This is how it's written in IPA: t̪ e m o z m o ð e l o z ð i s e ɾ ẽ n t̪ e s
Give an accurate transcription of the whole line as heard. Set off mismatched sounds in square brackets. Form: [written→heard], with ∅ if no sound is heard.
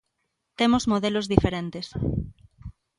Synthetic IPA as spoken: t̪ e m o z m o ð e l o z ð i [s→f] e ɾ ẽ n t̪ e s